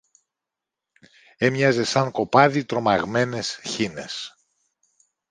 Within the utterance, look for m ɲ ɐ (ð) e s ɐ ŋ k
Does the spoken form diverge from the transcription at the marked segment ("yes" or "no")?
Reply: yes